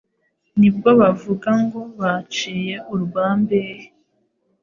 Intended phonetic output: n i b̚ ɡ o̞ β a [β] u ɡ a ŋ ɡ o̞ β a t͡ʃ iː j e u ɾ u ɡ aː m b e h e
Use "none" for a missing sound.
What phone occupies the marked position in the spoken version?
v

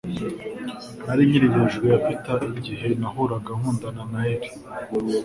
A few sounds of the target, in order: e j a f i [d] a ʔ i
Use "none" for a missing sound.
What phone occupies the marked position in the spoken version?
t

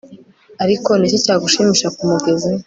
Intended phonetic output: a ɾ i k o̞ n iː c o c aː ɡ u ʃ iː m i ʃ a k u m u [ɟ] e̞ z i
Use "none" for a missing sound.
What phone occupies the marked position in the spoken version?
ɡ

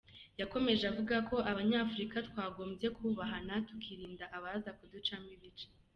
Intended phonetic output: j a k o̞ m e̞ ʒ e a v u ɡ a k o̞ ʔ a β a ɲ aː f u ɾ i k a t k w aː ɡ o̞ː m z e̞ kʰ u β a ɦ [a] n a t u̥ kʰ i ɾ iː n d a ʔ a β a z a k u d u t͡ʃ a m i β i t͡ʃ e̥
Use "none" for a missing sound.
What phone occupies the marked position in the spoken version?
a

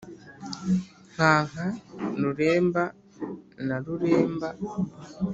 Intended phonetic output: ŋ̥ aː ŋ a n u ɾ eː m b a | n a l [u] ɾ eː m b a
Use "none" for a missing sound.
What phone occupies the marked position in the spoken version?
u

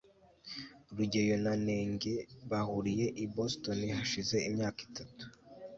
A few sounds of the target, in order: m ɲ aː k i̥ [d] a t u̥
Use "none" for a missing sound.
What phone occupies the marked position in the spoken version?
t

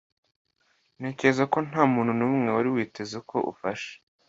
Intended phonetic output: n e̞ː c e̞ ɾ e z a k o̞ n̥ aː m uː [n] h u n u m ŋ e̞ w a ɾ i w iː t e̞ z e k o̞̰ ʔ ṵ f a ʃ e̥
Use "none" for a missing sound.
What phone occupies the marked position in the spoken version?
n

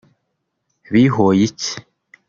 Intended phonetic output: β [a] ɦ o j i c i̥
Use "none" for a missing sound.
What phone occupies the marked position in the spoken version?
i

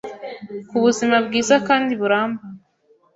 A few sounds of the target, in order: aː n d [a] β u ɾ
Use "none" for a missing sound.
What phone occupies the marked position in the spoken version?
i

